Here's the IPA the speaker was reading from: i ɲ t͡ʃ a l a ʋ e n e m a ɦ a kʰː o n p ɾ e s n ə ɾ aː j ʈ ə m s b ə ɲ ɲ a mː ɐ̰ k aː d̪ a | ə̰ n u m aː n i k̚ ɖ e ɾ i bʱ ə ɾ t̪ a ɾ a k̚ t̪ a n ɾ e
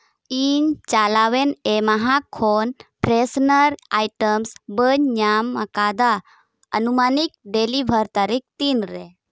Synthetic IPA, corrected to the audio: i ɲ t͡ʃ a l a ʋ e n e m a ɦ a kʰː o n p ɾ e s n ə ɾ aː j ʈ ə m s b ə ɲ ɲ a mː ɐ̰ k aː d̪ a | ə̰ n u m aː n i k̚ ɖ e l i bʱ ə ɾ t̪ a ɾ i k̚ t̪ i n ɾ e

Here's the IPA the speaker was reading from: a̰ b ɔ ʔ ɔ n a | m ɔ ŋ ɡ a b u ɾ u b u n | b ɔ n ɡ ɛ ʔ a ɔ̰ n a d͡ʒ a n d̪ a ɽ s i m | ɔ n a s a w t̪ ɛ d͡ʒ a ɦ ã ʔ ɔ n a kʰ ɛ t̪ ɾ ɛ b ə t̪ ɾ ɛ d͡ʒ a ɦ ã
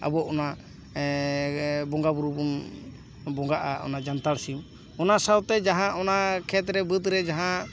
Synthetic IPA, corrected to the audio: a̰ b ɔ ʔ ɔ n a | b ɔ ŋ ɡ a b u ɾ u b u n | b ɔ ŋ ɡ a ʔ a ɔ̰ n a d͡ʒ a n t̪ a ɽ s i m | ɔ n a s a w t̪ ɛ d͡ʒ a ɦ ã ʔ ɔ n a kʰ ɛ t̪ ɾ ɛ b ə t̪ ɾ ɛ d͡ʒ a ɦ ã

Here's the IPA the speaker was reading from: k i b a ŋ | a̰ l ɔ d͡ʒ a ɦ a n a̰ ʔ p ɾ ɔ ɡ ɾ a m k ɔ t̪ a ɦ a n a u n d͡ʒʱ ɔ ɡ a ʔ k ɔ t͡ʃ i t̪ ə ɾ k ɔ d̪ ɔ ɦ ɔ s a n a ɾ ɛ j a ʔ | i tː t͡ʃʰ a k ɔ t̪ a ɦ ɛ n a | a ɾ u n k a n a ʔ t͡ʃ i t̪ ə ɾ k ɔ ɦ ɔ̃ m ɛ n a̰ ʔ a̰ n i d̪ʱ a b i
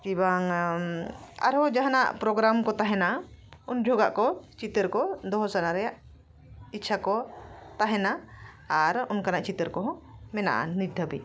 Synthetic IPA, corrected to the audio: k i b a ŋ | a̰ ɾ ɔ d͡ʒ a ɦ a n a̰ ʔ p ɾ ɔ ɡ ɾ a m k ɔ t̪ a ɦ ɛ n a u n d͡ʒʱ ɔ ɡ a ʔ k ɔ t͡ʃ i t̪ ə ɾ k ɔ d̪ ɔ ɦ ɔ s a n a ɾ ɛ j a ʔ | i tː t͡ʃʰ a k ɔ t̪ a ɦ ɛ n a | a ɾ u n k a n a ʔ t͡ʃ i t̪ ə ɾ k ɔ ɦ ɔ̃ m ɛ n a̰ ʔ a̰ n i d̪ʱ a b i

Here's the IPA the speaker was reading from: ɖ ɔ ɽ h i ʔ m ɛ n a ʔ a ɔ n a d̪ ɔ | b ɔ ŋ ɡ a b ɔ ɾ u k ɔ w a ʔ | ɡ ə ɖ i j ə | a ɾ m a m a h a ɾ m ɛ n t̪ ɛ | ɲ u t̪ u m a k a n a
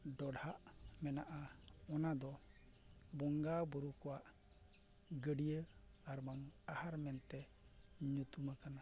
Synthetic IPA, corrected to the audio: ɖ ɔ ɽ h a ʔ m ɛ n a ʔ a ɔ n a d̪ ɔ | b ɔ ŋ ɡ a b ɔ ɾ u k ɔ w a ʔ | ɡ ə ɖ i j ə | a ɾ m a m a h a ɾ m ɛ n t̪ ɛ | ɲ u t̪ u m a k a n a

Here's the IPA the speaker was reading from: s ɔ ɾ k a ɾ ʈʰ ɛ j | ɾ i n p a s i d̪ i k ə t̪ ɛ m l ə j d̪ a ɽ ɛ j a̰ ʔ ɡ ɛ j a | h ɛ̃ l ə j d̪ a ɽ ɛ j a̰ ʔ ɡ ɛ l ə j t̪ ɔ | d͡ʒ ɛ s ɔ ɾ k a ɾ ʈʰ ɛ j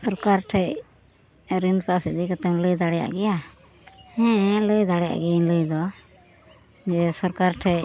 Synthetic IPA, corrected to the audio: s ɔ ɾ k a ɾ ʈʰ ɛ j | ɾ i n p a s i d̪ i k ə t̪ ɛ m l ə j d̪ a ɽ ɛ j a̰ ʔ ɡ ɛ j a | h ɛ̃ l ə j d̪ a ɽ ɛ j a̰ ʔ ɡ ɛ l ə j d̪ ɔ | d͡ʒ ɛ s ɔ ɾ k a ɾ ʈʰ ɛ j

